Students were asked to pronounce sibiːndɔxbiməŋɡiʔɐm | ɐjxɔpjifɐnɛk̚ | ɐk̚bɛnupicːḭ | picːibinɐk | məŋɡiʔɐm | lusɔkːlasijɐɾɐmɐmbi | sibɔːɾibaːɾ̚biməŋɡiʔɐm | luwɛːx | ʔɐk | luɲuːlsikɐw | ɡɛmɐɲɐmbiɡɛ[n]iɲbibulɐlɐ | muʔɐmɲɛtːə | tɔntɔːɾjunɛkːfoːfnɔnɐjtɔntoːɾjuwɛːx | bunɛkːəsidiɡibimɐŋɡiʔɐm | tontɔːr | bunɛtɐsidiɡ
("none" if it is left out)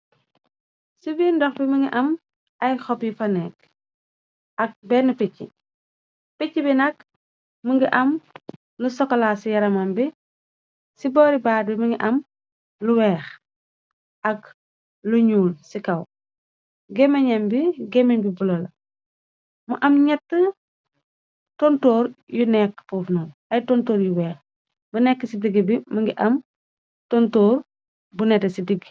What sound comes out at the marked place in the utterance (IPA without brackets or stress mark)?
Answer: m